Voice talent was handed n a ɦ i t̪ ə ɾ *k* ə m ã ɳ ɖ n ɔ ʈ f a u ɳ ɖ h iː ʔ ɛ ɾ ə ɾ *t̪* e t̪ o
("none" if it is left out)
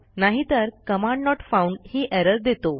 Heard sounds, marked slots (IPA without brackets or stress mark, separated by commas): k, d̪